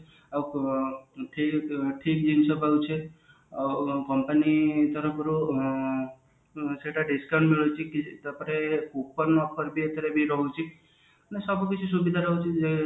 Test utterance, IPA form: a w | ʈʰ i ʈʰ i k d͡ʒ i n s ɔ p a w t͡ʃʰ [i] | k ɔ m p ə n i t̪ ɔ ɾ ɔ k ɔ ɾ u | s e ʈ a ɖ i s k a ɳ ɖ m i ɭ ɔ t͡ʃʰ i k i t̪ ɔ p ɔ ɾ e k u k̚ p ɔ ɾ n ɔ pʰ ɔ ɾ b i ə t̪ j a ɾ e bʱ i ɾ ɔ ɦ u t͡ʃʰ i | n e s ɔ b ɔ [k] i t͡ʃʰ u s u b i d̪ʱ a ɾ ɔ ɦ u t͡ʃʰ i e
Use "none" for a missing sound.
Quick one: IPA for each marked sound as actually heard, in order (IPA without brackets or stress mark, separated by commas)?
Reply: e, k